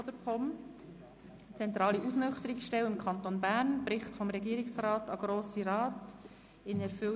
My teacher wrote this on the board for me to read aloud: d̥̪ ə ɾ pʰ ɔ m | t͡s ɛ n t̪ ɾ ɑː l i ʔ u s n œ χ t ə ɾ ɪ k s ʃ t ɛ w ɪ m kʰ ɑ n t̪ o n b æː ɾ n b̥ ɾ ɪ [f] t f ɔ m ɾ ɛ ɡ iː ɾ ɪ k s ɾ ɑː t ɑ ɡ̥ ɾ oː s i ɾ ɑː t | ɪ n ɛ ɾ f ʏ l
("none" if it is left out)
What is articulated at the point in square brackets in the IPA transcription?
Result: χ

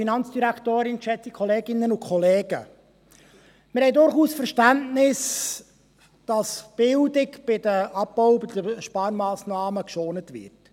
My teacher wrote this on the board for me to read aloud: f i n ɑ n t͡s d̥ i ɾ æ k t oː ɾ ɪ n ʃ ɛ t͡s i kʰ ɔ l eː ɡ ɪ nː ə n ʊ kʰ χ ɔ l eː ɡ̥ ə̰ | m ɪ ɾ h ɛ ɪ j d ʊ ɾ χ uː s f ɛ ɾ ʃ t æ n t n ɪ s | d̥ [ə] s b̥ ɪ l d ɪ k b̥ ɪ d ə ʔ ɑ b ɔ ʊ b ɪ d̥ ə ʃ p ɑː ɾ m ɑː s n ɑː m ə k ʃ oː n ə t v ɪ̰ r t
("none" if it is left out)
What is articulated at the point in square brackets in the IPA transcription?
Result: ɑ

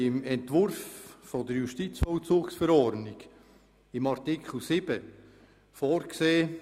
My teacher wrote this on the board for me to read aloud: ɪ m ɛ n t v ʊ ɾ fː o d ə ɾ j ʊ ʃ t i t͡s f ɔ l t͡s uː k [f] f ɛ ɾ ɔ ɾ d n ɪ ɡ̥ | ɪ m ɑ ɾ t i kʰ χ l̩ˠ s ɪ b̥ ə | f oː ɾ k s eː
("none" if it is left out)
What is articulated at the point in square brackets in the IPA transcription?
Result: s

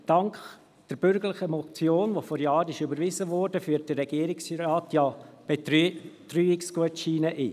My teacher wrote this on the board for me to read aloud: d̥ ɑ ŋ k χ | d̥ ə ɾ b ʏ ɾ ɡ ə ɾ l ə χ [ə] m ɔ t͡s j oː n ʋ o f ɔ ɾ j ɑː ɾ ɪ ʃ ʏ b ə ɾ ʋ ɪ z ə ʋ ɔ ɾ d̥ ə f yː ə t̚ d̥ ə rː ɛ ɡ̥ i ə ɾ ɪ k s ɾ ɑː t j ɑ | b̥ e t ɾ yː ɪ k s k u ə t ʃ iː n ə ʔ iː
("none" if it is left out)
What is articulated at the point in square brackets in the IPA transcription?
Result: ə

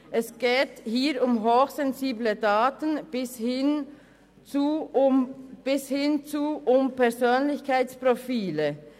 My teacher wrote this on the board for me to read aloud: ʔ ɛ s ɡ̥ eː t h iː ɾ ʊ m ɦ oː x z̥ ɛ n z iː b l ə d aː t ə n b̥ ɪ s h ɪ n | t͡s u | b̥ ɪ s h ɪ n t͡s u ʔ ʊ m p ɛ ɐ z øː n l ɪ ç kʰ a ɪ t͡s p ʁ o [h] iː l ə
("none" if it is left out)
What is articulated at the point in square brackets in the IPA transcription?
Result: f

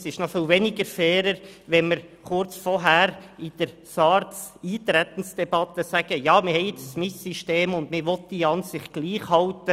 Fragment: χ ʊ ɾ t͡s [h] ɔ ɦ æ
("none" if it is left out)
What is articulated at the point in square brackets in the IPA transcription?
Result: f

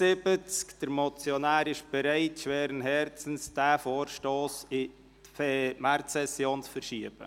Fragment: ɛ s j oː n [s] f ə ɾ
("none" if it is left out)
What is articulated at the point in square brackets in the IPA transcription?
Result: t͡s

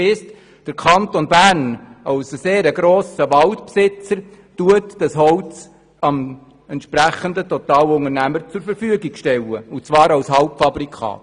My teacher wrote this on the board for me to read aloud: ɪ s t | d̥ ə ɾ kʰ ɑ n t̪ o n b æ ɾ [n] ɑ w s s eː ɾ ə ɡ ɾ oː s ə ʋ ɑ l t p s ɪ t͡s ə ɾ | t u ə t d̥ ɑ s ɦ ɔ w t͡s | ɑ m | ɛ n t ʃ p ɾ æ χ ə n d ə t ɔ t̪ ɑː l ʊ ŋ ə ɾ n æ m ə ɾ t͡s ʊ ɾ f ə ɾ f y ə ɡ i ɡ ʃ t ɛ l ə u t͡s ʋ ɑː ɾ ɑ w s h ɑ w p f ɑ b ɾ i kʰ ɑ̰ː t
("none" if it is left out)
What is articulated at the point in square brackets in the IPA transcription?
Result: n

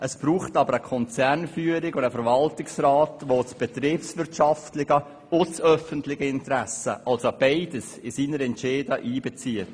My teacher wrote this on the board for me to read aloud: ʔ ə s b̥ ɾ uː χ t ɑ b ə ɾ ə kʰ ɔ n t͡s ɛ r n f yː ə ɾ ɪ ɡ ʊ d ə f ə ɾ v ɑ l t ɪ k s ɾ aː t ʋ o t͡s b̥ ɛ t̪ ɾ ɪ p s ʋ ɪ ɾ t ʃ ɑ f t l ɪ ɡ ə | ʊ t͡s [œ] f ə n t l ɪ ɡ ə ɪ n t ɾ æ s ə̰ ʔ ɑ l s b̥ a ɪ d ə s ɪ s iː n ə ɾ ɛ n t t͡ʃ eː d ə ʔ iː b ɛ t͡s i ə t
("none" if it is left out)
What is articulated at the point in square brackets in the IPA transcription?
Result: œ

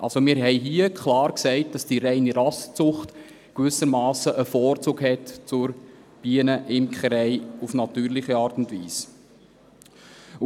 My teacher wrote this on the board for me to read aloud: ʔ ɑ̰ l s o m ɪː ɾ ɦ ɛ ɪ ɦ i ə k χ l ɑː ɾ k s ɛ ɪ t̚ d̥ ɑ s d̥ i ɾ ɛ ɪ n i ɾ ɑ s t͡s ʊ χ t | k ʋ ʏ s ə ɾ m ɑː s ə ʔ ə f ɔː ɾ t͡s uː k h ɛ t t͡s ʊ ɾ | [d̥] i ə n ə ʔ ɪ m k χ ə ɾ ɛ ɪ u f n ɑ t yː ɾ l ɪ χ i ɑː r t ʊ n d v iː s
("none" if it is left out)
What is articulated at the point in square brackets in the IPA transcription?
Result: b̥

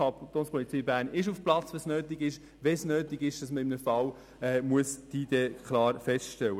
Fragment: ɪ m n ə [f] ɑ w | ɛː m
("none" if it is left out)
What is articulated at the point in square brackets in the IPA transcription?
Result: f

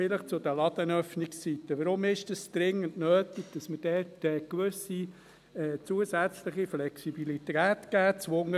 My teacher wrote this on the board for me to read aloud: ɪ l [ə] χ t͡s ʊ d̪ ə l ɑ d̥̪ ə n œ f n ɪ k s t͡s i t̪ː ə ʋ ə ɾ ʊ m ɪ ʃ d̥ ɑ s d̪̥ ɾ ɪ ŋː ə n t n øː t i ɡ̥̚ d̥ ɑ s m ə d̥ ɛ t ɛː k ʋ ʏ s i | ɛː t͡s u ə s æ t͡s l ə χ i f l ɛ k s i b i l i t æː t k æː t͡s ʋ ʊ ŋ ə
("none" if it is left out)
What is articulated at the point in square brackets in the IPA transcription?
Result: ə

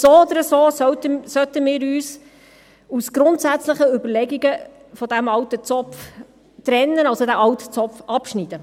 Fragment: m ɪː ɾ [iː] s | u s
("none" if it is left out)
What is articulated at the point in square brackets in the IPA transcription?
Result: yː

